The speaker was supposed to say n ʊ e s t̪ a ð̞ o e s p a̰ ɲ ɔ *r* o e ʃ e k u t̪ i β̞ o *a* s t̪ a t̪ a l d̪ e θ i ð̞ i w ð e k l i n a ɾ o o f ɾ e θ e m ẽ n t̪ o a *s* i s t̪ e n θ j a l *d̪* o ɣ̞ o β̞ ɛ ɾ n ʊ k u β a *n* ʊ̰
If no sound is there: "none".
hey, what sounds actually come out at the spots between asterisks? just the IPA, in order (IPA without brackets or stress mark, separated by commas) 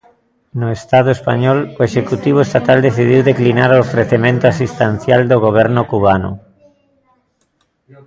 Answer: l, e, s, d̪, n